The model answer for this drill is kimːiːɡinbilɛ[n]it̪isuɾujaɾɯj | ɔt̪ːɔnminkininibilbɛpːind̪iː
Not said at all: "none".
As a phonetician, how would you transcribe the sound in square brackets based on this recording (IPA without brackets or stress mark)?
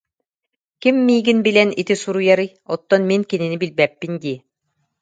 n